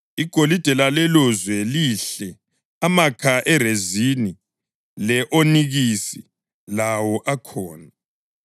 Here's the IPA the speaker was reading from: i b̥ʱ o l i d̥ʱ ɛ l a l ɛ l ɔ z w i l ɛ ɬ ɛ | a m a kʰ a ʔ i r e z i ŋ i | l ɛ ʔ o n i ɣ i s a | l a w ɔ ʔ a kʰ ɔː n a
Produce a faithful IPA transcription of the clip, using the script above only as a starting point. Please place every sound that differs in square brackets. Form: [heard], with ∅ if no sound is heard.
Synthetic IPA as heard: i [ɡ̥ʱ] o l i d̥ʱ ɛ l a l ɛ l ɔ z w [ɛ] l [i] ɬ ɛ | a m a kʰ a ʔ [ɛ] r e z i [n] i | l ɛ ʔ o n i ɣ i s [i] | l a w ɔ ʔ a kʰ ɔː n a